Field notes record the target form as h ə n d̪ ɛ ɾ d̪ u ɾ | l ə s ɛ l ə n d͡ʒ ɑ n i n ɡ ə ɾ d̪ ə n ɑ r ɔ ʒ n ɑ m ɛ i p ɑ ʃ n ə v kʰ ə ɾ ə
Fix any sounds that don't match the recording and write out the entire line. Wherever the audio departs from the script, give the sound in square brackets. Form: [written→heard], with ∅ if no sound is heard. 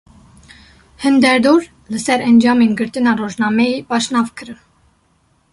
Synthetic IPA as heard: h ə n d̪ ɛ ɾ d̪ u ɾ | l ə s ɛ [l→ɾ] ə n d͡ʒ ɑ [n→m] i n ɡ ə ɾ [d̪→t̪] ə n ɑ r ɔ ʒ n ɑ m ɛ i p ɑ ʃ n [ə→ɑ] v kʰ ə ɾ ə